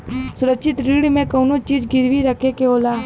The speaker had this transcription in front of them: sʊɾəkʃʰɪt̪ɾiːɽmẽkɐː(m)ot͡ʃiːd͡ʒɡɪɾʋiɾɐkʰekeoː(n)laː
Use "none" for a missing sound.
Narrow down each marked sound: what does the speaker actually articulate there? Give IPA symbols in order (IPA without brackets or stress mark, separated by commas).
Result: n, none